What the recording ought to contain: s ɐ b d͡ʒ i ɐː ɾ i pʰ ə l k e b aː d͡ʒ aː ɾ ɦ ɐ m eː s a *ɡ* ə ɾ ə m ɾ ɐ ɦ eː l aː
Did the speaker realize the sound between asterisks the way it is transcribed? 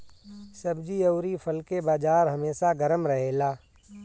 yes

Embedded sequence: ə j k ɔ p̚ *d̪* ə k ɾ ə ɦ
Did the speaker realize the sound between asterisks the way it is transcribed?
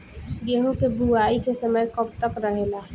no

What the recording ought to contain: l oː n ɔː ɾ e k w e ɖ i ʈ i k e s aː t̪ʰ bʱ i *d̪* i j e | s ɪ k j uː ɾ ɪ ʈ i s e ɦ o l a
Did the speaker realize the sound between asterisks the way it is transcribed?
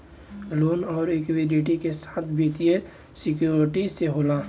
no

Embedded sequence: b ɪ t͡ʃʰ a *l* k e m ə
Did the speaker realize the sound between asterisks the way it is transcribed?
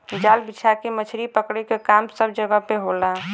no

